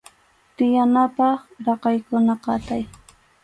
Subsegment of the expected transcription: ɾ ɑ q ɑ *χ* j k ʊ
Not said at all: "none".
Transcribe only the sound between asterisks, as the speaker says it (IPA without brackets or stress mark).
none